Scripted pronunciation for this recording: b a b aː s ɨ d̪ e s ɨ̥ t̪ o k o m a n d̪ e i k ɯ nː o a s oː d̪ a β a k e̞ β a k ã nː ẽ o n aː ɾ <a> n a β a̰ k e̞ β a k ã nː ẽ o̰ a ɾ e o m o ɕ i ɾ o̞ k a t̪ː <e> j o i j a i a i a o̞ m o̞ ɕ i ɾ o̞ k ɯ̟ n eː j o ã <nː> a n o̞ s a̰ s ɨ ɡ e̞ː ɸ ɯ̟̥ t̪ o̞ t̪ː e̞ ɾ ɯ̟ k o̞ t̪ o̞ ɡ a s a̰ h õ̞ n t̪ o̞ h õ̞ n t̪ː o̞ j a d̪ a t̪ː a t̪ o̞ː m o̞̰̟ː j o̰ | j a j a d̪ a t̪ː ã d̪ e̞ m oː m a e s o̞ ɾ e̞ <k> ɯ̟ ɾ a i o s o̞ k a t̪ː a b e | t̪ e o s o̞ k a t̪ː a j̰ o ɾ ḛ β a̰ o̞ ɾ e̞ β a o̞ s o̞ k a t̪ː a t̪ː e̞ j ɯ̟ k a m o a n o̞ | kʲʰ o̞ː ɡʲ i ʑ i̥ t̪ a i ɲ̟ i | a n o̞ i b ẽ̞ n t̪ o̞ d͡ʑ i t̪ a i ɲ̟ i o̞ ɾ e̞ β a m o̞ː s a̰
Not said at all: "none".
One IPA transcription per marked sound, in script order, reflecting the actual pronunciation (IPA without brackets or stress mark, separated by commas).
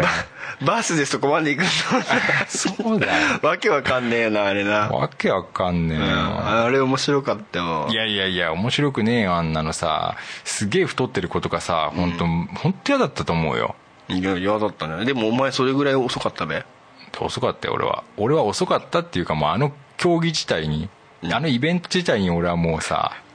e, a, nː, ɡ